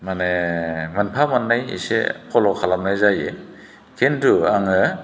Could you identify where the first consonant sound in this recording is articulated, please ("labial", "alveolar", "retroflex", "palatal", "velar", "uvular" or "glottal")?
labial